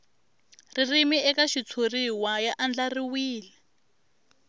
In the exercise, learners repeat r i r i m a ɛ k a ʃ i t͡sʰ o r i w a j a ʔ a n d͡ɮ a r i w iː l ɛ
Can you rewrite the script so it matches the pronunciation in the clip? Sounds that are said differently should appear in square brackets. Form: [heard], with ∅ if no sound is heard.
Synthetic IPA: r i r i m [i] ɛ k a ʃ i t͡sʰ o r i w a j a ʔ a n d͡ɮ a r i w iː l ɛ